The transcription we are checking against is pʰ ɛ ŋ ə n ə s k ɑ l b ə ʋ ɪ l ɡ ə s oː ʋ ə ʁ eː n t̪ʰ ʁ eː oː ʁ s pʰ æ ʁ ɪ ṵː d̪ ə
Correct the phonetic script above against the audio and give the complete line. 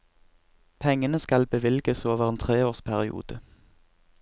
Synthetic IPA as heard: pʰ ɛ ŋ ə n ə s k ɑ l b ə ʋ ɪ l ɡ ə s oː ʋ ə ʁ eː n t̪ʰ ʁ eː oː ʁ s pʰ æ ʁ ɪ ṵː d̪ ə